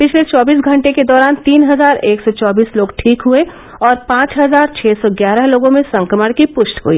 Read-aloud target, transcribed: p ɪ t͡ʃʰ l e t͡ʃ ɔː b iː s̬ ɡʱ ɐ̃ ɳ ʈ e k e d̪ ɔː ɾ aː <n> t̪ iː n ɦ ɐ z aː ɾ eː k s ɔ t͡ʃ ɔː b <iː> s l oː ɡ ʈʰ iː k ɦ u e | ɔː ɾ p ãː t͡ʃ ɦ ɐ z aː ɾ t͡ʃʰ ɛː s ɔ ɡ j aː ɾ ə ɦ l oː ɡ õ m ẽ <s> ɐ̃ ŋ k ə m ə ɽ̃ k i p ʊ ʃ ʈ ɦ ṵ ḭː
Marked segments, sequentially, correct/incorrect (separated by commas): correct, correct, correct